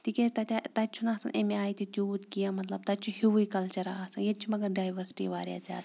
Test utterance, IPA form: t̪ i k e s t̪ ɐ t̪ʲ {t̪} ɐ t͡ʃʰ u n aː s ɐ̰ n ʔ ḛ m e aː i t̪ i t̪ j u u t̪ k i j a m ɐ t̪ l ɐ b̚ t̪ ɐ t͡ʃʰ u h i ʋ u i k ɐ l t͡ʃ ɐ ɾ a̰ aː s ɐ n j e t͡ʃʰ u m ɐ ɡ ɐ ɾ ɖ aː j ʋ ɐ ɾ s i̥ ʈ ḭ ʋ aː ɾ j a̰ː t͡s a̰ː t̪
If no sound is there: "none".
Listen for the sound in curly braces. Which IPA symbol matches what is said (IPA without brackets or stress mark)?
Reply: t̪